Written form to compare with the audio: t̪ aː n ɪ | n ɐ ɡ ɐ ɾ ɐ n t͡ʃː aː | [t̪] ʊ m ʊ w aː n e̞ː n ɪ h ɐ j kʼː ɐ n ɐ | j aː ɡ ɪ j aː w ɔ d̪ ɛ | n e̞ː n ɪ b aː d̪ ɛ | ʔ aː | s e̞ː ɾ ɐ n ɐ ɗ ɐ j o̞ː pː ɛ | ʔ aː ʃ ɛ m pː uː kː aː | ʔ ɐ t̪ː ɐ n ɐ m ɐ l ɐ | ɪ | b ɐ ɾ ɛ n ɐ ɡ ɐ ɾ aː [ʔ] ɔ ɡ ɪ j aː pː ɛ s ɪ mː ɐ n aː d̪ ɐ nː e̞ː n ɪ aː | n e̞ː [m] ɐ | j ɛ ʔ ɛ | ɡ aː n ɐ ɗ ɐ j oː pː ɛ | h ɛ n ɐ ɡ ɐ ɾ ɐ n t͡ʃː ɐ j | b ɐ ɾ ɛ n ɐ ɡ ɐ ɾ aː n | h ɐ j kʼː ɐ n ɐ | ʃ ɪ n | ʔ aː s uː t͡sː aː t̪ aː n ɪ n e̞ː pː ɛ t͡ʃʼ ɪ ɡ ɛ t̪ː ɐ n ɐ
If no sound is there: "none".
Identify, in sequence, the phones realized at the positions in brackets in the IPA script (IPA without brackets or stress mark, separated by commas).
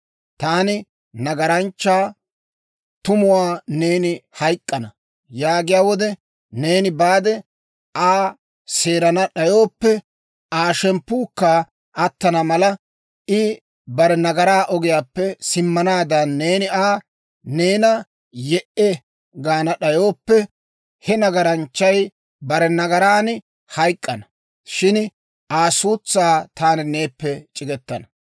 t̪, ʔ, n